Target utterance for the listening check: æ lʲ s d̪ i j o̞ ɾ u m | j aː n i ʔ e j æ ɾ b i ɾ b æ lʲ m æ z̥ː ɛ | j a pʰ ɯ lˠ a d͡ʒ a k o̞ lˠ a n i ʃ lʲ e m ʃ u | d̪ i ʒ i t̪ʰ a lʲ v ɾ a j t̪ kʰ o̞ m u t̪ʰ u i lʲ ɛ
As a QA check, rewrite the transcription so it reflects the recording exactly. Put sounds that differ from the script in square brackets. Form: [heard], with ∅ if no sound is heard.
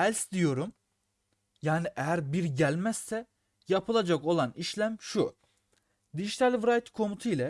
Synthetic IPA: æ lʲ s d̪ i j o̞ ɾ u m | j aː n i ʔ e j æ ɾ b i ɾ [ɟ] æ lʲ m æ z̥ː ɛ | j a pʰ ɯ lˠ a d͡ʒ a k o̞ lˠ a n i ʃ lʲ [æ] m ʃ u | d̪ i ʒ i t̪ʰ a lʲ v ɾ a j t̪ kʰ o̞ m u t̪ʰ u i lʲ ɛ